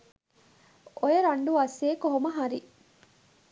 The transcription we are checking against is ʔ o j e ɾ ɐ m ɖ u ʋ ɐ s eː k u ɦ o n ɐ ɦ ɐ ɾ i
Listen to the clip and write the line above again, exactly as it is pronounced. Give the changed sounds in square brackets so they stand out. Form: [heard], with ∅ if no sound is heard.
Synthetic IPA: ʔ o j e ɾ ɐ [ɳ] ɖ u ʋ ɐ s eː k [o] ɦ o [m] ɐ ɦ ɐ ɾ i